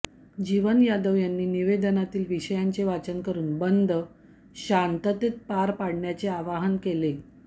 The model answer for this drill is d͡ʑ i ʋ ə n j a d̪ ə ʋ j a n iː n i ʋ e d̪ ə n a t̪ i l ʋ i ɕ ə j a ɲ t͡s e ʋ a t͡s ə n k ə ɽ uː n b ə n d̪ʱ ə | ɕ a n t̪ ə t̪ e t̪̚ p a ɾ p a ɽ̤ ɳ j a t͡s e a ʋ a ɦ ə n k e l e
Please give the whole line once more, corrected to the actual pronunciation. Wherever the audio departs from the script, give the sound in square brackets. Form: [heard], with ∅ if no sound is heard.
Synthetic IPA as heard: d͡ʑ i ʋ ə n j a d̪ ə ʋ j a [nː] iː n i ʋ e d̪ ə n a t̪ [iː] l ʋ i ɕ ə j a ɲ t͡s e ʋ a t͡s ə n k ə [ɾ] uː n b ə n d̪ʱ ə | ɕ a n t̪ ə t̪ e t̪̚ p a ɾ p a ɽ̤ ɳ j a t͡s e a ʋ a ɦ ə n k e l e